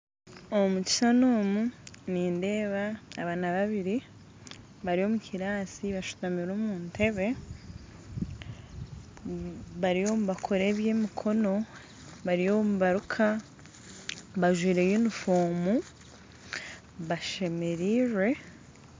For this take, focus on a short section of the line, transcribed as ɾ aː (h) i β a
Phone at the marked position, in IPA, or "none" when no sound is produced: s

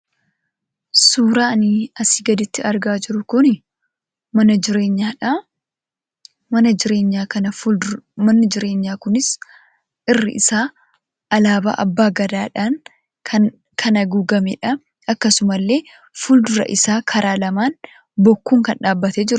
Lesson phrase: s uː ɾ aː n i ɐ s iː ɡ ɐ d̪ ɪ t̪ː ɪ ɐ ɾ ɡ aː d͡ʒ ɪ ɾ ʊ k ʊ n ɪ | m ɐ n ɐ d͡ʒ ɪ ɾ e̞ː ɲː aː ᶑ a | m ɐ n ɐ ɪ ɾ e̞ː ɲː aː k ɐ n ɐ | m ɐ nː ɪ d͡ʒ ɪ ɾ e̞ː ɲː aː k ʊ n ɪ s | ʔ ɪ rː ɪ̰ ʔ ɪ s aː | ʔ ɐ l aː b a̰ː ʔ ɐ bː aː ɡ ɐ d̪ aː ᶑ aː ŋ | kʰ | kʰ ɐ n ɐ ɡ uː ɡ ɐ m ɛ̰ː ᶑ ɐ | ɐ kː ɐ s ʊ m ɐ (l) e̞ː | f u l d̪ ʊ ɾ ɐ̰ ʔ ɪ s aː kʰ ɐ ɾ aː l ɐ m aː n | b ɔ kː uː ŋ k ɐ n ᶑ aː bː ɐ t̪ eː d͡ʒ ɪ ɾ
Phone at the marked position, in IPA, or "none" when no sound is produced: lː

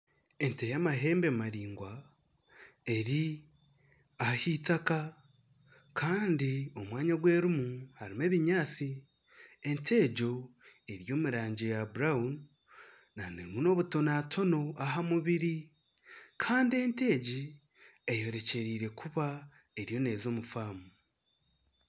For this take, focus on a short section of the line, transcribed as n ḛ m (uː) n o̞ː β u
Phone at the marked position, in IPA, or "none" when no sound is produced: u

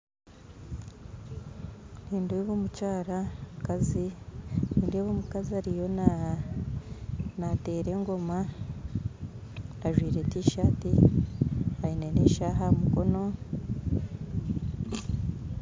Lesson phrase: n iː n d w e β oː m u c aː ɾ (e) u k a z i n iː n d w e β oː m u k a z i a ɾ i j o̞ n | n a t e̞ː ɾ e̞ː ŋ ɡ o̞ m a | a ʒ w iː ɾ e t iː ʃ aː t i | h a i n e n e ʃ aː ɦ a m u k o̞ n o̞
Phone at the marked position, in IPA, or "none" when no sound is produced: a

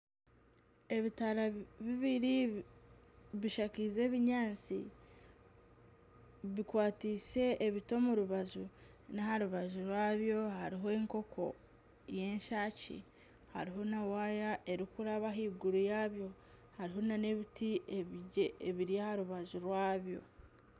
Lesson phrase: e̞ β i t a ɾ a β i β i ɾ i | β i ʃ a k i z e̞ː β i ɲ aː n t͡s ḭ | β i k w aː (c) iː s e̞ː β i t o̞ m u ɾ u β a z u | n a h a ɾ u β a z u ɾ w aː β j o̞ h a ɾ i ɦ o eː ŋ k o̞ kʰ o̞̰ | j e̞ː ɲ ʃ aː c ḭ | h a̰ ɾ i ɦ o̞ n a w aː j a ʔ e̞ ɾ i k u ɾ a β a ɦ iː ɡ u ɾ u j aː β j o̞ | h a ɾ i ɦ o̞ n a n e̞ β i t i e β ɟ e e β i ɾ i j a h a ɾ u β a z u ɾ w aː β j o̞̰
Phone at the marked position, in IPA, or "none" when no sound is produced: t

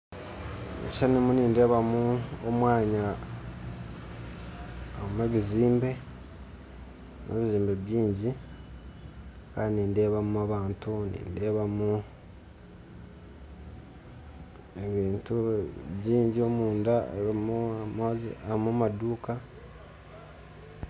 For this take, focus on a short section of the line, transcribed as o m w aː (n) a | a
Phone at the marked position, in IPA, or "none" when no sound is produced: ɲ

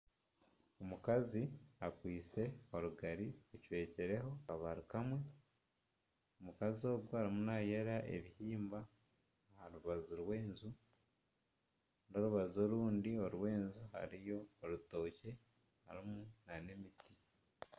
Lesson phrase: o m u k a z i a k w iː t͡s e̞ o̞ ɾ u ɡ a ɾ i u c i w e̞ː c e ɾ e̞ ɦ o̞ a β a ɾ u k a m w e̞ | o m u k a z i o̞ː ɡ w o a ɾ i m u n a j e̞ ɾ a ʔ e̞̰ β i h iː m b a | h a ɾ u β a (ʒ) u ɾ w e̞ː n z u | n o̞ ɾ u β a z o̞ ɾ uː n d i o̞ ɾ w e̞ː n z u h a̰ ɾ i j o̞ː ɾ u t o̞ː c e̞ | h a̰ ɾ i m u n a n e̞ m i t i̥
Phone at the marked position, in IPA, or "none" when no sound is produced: z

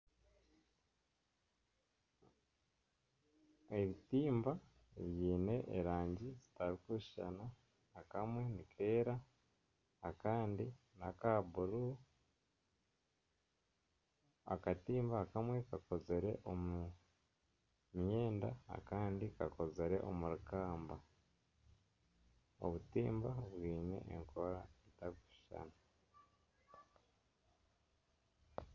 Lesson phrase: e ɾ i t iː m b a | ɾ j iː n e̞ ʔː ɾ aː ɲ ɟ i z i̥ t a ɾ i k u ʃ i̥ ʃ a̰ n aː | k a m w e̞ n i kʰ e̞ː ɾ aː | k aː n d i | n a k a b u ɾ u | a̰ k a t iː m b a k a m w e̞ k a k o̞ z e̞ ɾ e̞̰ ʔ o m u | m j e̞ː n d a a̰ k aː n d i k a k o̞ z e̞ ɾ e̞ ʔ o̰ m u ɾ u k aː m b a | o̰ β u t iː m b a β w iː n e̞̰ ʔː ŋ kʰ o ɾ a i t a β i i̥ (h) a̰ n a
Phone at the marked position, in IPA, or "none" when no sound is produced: ʃ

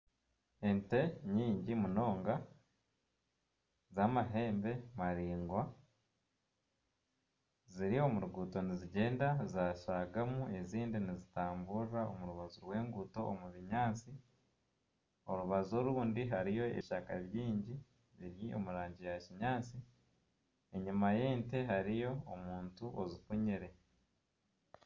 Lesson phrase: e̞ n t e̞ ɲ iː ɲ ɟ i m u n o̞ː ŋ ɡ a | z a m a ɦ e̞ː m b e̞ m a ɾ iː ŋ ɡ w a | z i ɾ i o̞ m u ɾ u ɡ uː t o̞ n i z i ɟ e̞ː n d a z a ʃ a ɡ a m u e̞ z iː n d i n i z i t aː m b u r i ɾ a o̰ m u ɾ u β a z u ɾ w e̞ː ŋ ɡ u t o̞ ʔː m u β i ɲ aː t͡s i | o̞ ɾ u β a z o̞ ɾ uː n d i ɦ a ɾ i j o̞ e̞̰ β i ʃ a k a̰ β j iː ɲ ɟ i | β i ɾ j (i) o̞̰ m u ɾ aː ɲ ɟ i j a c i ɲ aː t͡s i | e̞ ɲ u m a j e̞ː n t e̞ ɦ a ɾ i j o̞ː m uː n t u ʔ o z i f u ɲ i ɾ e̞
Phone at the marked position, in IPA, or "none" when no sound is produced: i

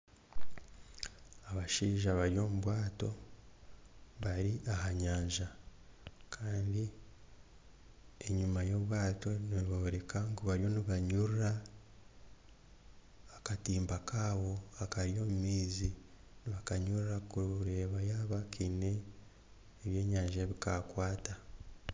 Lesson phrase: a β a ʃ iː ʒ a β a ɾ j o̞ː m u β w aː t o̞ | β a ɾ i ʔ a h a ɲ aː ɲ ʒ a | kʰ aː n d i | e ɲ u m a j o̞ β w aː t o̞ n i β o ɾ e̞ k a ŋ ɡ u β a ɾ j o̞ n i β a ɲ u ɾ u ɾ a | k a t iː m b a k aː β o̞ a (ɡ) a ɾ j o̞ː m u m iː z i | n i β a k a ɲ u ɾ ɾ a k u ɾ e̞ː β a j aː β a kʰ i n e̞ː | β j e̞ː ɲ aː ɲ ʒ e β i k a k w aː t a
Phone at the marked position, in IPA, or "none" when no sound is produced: k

